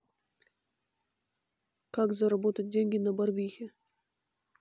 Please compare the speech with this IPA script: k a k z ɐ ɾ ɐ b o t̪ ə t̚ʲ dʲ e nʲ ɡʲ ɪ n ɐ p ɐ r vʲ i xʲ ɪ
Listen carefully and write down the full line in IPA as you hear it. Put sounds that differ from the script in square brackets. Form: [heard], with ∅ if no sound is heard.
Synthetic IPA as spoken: k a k z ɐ ɾ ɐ b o t̪ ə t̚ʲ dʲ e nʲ ɡʲ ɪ n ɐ [b] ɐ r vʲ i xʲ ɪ